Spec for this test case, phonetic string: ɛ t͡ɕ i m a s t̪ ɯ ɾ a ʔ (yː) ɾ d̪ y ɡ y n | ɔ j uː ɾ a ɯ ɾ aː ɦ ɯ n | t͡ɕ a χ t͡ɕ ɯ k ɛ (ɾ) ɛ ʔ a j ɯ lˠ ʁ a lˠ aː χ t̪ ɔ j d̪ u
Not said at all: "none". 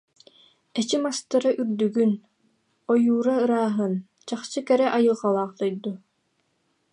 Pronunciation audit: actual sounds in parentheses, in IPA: y, ɾ

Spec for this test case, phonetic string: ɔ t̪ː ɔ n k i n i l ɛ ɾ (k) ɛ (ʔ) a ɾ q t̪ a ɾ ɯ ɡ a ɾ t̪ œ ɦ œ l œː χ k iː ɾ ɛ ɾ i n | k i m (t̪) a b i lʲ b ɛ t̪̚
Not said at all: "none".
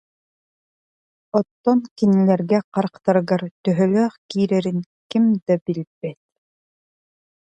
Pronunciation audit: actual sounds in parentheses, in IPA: ɡ, q, d̪

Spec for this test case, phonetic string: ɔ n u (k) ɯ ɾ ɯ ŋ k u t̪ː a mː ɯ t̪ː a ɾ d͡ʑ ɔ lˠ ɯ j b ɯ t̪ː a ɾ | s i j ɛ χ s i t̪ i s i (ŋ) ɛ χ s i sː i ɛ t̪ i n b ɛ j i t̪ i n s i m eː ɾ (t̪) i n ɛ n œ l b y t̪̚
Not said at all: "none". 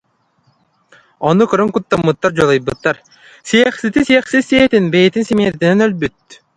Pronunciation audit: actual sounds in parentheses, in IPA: k, none, t̪

